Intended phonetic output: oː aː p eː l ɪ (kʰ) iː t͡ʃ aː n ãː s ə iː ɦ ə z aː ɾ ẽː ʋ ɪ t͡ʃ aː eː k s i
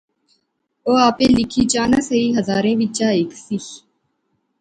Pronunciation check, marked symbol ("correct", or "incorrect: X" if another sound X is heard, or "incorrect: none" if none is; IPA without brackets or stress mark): correct